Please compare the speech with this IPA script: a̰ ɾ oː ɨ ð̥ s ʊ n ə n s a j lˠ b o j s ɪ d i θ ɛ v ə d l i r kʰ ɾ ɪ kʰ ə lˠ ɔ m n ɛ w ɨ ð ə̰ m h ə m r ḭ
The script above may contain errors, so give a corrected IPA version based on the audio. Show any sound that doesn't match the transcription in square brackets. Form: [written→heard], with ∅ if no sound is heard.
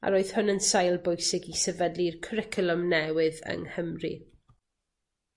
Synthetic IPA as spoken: a̰ ɾ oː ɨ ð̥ [s→h] ʊ n ə n s a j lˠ b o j s ɪ [d→ɡ] i [θ→s] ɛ v ə d l i r kʰ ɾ ɪ kʰ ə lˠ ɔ m n ɛ w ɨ ð ə̰ [m→ŋ] h ə m r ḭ